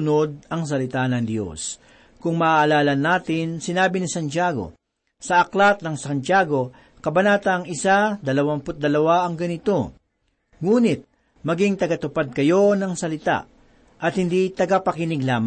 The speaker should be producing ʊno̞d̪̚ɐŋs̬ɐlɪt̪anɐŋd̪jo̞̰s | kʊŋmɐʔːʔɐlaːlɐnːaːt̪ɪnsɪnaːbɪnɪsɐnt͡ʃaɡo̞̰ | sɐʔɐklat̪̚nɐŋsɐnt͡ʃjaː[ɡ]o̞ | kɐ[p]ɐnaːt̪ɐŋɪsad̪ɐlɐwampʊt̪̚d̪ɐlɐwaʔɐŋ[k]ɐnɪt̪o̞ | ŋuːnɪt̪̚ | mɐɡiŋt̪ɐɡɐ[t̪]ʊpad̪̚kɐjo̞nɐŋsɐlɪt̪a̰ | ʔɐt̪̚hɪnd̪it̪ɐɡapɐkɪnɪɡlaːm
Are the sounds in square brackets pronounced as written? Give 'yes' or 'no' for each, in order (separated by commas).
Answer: yes, no, no, yes